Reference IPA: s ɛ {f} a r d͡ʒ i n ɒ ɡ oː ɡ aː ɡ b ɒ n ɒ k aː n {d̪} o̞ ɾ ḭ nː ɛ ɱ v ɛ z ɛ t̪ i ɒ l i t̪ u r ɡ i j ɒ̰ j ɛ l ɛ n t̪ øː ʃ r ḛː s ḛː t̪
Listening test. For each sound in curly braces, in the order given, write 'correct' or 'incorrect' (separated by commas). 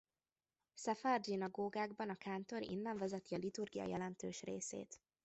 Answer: correct, incorrect